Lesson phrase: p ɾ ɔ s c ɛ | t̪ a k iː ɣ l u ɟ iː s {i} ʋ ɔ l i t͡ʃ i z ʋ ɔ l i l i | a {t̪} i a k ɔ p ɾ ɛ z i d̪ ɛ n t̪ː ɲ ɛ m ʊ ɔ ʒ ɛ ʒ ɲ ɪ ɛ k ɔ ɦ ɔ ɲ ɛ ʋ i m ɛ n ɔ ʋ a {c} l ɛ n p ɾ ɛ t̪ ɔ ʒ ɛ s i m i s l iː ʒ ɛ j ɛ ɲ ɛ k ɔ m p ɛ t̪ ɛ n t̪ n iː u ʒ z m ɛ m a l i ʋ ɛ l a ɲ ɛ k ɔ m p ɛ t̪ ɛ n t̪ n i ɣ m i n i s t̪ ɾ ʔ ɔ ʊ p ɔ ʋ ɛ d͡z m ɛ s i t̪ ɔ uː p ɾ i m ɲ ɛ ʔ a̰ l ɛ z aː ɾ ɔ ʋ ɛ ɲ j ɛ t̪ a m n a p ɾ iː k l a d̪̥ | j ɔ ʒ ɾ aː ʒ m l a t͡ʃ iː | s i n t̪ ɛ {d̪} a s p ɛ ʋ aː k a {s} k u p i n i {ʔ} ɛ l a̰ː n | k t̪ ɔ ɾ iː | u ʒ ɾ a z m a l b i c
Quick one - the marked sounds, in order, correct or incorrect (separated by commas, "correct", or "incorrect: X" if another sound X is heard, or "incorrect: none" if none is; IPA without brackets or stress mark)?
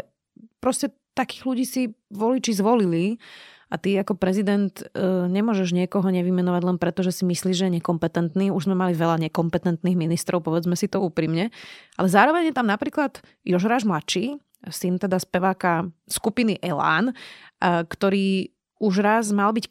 correct, correct, incorrect: ɟ, correct, correct, correct